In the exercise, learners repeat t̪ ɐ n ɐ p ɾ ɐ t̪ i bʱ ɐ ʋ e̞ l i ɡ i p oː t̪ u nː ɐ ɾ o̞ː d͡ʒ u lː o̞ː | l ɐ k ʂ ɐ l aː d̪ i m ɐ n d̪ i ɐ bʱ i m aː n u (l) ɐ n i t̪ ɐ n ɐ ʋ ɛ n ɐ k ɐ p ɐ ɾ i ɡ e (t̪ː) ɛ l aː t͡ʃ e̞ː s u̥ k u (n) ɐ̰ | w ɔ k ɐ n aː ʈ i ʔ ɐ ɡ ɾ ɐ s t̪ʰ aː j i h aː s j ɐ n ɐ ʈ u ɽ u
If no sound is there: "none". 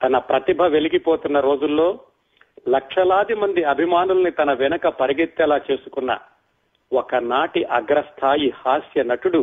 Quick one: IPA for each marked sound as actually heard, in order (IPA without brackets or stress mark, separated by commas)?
l, t̪ː, nː